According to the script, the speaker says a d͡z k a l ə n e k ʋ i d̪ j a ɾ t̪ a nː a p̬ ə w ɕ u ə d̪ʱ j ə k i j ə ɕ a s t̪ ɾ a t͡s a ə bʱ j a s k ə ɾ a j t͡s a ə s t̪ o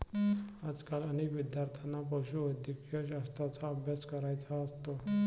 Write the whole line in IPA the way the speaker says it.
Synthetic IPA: a d͡z k a l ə n e k ʋ i d̪ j a ɾ t̪ʰ a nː a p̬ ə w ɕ u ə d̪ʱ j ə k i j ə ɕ a s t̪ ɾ a t͡s a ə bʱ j a s k ə ɾ a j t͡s a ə s t̪ o